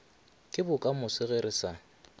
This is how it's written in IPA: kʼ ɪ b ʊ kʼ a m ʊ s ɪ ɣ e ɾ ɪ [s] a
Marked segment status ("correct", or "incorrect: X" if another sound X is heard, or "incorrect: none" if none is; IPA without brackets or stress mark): correct